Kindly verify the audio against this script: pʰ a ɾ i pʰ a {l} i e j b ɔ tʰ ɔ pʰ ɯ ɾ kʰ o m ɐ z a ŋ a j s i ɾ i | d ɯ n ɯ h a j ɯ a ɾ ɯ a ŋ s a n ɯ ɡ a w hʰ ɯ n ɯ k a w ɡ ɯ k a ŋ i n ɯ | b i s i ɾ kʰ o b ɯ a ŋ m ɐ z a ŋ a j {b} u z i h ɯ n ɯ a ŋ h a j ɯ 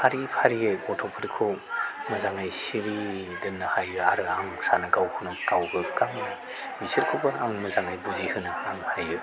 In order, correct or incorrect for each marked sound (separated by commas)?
incorrect, correct